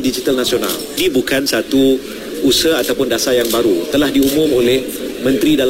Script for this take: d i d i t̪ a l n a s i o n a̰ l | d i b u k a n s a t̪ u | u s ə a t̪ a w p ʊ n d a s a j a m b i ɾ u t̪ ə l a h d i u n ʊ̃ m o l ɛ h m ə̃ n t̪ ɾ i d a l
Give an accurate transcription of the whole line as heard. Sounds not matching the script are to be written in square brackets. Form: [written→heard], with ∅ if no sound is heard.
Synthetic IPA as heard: d i [d→d͡ʒ] i t̪ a l n a s i o n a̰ l | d i b u k a n s a t̪ u | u s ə a t̪ a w p ʊ n d a s a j a [m→ŋ] b [i→a] ɾ u t̪ ə l a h d i u [n→m] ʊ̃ m o l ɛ h m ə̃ n t̪ ɾ i d a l